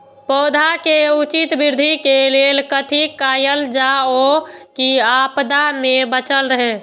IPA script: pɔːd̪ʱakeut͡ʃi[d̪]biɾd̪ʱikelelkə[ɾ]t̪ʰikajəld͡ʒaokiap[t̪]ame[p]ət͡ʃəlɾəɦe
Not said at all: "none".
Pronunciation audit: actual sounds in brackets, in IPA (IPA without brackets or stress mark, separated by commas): t̪, none, d̪, b